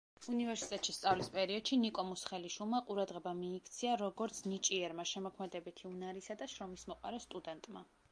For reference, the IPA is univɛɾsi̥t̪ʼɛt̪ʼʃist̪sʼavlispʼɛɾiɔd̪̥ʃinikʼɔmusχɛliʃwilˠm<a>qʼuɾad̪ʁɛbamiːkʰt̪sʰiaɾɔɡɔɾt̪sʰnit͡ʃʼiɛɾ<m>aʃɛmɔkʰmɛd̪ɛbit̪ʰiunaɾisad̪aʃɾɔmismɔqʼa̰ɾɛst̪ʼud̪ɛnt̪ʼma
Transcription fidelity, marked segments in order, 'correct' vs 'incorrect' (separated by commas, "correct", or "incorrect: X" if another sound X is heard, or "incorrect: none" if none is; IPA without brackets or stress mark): correct, correct